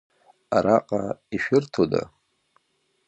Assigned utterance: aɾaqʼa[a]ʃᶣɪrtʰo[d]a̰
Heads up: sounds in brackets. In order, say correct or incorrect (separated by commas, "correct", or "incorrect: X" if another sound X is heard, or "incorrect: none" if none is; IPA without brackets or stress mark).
incorrect: i, correct